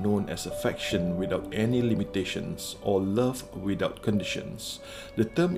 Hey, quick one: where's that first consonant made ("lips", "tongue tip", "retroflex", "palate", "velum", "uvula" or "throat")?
tongue tip